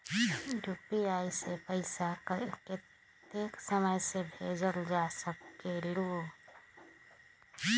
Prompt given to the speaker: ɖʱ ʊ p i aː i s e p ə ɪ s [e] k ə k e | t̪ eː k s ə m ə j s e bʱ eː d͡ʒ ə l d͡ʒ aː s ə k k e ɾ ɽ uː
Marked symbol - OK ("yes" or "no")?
no